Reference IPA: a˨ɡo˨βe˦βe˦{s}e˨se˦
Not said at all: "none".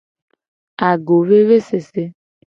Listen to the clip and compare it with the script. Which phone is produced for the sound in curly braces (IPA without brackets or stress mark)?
s